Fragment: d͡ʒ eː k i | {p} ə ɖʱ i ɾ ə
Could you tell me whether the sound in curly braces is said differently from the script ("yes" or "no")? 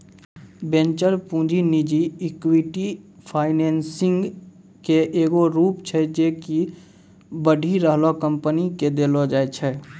yes